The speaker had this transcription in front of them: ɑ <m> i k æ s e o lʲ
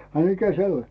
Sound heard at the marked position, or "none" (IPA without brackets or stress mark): m